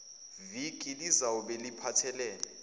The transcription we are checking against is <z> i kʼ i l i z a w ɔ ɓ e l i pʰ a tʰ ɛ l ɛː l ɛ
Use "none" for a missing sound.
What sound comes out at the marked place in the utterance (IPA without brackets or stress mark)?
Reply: v